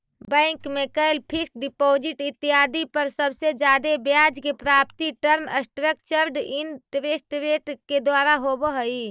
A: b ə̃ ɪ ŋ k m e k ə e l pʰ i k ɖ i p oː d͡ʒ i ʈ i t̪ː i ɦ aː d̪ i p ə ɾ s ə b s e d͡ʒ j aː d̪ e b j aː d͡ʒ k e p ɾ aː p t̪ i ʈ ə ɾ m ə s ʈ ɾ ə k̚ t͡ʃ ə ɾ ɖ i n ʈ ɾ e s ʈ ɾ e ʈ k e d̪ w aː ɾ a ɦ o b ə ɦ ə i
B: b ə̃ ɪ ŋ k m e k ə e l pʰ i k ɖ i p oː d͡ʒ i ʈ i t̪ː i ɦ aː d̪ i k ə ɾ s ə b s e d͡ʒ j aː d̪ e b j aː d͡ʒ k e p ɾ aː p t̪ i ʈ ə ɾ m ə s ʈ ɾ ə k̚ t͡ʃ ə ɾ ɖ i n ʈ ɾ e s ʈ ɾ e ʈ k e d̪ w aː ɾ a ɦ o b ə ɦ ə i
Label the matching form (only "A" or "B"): A